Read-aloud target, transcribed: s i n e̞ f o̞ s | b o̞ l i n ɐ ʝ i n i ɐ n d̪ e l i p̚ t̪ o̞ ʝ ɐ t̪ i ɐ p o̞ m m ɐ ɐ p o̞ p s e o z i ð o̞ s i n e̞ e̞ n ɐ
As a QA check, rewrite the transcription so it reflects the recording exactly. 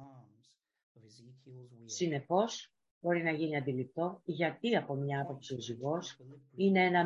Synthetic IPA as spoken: s i n e̞ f o̞ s | b o̞ ɾ i n ɐ ʝ i n i ɐ n d̪ i l i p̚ t̪ o̞ ʝ ɐ t̪ i ɐ p o̞ m ɲ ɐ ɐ p o̞ p s i o z i ɣ o̞ s i n e̞ e̞ n ɐ